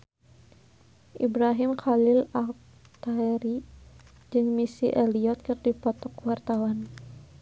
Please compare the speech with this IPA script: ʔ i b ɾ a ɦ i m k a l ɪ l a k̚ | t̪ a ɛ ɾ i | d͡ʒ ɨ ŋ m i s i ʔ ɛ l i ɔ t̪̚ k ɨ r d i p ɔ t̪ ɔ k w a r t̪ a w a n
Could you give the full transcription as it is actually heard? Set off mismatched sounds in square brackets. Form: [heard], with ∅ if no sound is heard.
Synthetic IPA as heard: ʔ i b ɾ a ɦ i m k a l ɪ l a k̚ | t̪ a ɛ ɾ i | d͡ʒ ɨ ŋ m i s i ʔ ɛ l i ɔ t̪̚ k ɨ r d i p ɔ t̪ ɔ k w a r t̪ a w a n